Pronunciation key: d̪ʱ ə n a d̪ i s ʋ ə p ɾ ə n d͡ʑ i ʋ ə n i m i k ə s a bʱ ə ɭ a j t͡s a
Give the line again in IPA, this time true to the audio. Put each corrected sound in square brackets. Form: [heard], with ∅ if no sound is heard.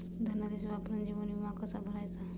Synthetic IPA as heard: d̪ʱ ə n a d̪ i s ʋ [a] p ɾ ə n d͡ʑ i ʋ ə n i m [a] k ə s a bʱ ə [ɾ] a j t͡s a